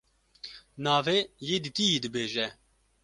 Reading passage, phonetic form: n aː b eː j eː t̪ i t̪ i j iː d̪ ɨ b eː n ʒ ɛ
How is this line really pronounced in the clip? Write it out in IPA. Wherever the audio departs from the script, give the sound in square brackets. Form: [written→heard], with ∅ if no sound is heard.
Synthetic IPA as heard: n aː [b→v] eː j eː [t̪→d̪] i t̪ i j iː d̪ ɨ b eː [n→∅] ʒ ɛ